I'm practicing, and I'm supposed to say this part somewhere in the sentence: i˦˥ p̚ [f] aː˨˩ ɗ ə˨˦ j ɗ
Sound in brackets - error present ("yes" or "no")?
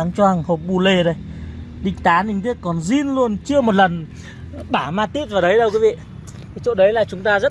yes